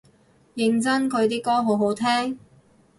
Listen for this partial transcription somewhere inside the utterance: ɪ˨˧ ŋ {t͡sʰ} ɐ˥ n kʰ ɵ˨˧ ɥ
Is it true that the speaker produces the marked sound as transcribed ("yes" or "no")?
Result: no